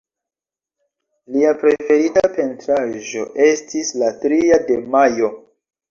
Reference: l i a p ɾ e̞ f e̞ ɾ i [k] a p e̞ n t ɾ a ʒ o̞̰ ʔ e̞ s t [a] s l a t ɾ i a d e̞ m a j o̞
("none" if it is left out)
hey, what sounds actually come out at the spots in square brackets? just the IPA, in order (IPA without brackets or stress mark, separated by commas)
t, i